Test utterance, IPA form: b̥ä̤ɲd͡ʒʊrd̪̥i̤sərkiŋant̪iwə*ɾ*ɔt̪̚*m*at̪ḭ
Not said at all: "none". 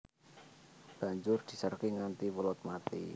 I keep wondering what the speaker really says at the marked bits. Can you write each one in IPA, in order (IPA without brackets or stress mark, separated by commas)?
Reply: l, m